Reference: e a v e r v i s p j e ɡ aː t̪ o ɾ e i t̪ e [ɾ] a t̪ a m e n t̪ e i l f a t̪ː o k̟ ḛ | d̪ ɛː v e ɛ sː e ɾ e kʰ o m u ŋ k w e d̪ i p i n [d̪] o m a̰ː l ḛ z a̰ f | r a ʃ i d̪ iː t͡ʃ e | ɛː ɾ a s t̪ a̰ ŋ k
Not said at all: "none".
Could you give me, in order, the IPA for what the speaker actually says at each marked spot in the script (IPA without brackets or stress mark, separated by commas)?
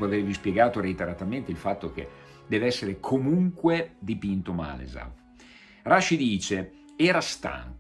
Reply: ɾ, t̪